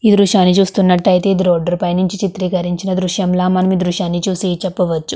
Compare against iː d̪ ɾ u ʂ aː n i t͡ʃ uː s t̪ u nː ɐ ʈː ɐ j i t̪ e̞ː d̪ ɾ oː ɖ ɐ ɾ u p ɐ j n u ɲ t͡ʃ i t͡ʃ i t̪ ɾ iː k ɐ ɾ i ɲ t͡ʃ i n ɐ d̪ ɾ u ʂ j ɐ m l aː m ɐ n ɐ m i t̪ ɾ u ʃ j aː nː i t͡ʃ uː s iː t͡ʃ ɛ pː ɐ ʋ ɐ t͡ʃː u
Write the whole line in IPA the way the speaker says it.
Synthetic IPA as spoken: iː d̪ ɾ u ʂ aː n i t͡ʃ uː s t̪ u nː ɐ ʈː ɐ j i t̪ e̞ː d̪ ɾ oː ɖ ɐ ɾ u p ɐ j n u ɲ t͡ʃ i t͡ʃ i t̪ ɾ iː k ɐ ɾ i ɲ t͡ʃ i n ɐ d̪ ɾ u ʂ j ɐ m l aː m ɐ n ɐ m i d̪ ɾ u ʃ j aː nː i t͡ʃ uː s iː t͡ʃ ɛ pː ɐ ʋ ɐ t͡ʃː u